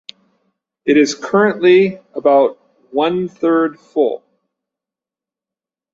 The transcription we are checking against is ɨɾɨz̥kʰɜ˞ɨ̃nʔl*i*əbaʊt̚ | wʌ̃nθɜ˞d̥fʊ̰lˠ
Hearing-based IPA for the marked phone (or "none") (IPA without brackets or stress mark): i